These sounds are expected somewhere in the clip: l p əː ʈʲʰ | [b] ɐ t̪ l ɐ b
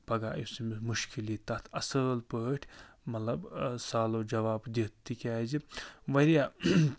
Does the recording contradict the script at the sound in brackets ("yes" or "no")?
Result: yes